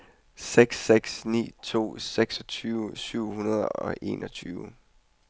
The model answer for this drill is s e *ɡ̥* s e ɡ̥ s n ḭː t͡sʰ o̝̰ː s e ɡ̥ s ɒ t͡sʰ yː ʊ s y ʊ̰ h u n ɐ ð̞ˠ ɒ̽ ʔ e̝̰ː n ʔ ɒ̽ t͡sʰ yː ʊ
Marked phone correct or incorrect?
correct